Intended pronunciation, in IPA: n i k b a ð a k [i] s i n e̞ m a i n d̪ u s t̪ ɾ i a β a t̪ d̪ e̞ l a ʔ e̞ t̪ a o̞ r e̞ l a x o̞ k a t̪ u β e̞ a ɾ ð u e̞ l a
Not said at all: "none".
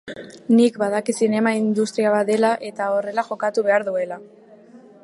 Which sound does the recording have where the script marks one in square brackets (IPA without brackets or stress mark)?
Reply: i